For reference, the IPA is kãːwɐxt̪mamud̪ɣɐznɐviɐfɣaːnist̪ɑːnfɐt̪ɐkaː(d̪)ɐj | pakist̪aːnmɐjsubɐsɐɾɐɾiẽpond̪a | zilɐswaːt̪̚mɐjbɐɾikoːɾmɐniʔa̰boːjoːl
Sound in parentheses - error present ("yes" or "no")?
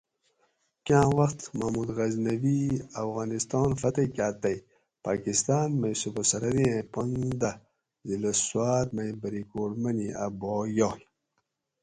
yes